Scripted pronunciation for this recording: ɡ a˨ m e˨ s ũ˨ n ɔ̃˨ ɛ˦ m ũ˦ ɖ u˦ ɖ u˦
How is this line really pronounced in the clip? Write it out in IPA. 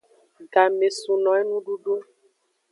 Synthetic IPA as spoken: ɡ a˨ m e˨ s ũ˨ n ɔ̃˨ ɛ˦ n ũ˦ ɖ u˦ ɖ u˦